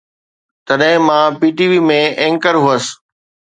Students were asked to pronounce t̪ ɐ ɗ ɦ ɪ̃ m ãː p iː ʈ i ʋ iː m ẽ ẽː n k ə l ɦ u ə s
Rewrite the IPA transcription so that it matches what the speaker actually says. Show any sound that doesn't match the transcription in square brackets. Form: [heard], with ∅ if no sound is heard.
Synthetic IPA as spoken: t̪ ɐ ɗ ɦ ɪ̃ m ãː p iː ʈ i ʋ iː m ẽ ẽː [ŋ] k ə [ɾ] ɦ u ə s